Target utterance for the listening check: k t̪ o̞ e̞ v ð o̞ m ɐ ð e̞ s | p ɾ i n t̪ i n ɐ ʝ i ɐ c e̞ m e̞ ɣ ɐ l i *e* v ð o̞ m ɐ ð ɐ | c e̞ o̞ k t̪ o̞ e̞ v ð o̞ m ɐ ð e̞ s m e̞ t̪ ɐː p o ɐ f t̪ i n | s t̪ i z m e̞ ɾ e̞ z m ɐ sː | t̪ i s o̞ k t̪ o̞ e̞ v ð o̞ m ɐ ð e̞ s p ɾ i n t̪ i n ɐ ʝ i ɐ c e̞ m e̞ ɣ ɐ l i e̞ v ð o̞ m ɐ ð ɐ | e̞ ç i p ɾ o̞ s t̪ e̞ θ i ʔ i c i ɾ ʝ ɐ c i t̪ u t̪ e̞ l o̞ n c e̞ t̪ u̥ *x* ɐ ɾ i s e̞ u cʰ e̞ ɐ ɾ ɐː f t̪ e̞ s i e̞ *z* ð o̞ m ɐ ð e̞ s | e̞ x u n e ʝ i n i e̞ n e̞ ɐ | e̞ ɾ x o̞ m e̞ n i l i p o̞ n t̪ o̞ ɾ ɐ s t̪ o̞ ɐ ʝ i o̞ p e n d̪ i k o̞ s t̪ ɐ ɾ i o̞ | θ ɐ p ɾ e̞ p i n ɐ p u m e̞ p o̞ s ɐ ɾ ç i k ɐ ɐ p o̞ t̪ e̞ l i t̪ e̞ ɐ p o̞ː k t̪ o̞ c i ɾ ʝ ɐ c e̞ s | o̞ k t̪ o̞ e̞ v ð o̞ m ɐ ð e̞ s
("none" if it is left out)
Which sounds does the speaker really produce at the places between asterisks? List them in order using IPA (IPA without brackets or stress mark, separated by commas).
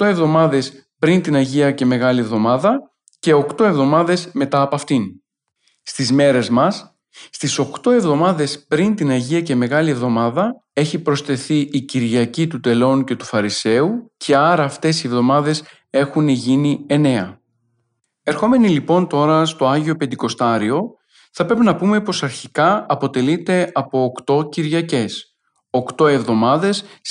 e, f, v